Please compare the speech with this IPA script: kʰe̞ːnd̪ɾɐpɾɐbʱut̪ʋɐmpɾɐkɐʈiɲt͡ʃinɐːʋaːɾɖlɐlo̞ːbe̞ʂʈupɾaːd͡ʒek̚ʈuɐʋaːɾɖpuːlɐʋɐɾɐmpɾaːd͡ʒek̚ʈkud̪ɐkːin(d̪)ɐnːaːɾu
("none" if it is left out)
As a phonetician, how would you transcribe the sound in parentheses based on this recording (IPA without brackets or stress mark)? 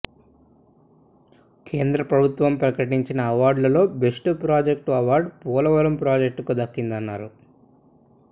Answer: d̪